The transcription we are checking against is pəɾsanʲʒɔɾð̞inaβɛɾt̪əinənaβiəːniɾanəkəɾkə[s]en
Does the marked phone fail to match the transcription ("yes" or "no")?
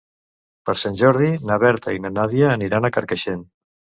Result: yes